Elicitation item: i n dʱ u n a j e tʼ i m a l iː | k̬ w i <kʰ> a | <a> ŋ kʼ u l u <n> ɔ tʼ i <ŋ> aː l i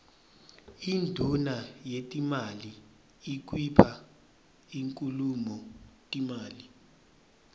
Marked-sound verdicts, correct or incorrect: incorrect: pʰ, incorrect: i, incorrect: m, incorrect: m

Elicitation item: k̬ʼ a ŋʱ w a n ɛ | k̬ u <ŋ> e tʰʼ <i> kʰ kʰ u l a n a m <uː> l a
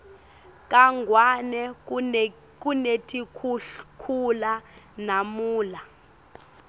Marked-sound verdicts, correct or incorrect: incorrect: n, correct, correct

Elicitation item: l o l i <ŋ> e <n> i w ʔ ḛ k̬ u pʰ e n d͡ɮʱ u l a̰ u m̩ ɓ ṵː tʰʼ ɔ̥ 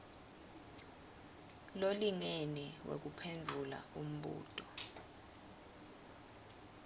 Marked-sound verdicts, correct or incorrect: correct, correct

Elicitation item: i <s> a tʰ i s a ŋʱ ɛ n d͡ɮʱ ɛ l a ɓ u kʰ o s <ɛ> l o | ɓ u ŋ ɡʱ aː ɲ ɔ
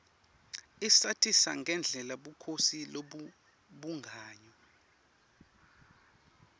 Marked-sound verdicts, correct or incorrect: correct, incorrect: i

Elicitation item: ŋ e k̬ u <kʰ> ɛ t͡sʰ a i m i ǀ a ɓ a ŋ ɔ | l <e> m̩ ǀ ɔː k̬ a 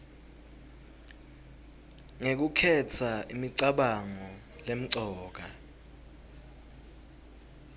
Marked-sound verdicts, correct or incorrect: correct, correct

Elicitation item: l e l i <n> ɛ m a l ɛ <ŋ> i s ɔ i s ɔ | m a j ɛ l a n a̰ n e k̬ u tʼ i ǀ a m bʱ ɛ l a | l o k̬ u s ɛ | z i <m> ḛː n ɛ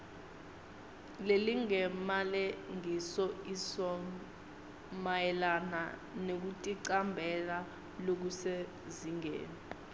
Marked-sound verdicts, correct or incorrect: incorrect: ŋ, correct, incorrect: ŋ

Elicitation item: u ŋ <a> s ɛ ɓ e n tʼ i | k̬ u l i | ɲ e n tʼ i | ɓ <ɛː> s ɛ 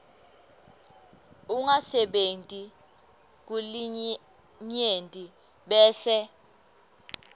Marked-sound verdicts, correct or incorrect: correct, correct

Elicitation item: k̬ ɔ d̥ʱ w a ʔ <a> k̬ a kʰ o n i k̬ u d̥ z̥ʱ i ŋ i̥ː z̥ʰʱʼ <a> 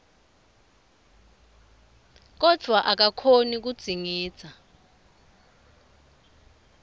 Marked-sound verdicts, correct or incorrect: correct, correct

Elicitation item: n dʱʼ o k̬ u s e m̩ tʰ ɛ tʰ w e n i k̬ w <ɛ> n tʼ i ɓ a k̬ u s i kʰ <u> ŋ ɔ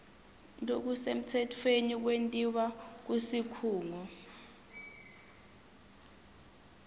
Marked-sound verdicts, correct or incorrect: incorrect: e, incorrect: uː

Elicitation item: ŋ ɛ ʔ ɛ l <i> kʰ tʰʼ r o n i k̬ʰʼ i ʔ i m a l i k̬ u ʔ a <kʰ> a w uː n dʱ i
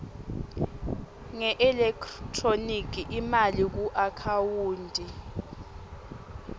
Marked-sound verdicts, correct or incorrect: incorrect: ɛ, correct

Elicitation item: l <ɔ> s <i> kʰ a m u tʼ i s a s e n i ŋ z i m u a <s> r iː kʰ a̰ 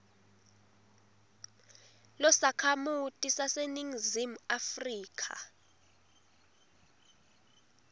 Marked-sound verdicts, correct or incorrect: correct, incorrect: a, incorrect: f

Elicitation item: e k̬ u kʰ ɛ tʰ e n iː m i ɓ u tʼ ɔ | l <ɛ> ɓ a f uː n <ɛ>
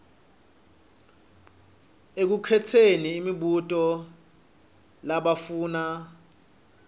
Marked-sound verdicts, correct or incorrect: incorrect: a, incorrect: a

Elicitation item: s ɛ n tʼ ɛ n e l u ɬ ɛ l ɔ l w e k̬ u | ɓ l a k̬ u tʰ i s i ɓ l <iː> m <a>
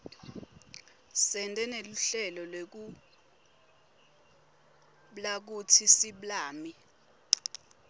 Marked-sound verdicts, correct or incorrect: incorrect: aː, incorrect: i

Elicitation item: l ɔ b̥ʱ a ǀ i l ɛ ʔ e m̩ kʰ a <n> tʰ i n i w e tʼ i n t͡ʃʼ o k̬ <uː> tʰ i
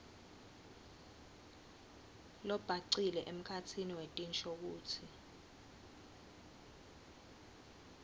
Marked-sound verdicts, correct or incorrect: incorrect: none, correct

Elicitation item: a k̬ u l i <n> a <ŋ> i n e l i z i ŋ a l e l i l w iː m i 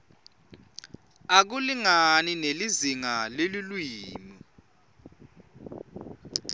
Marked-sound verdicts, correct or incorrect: incorrect: ŋ, incorrect: n

